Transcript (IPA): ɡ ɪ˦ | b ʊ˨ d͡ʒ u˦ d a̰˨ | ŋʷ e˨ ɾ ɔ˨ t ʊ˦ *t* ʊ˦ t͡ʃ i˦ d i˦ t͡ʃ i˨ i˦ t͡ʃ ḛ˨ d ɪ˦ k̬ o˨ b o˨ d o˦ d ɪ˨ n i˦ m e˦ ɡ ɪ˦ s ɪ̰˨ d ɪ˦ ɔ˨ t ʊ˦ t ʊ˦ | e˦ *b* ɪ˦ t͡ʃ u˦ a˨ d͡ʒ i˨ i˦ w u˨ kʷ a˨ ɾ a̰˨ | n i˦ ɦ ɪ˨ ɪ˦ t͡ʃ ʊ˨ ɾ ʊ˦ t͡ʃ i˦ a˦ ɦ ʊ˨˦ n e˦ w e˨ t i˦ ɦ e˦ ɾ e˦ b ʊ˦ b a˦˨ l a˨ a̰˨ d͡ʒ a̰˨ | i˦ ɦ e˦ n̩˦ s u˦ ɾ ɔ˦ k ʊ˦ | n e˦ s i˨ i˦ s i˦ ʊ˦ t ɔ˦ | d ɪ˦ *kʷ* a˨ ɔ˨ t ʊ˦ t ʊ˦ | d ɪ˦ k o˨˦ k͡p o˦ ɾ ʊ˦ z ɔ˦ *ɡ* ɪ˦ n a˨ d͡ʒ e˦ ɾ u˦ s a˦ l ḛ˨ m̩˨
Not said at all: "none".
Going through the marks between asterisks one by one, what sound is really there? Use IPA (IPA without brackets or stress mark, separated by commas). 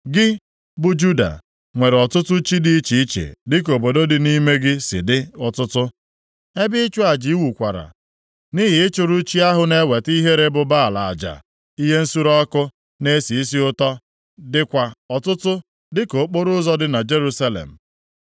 t, b, kʷ, d